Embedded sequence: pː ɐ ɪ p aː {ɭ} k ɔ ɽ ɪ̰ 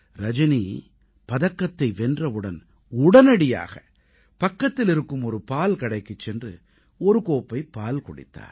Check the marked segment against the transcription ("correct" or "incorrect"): incorrect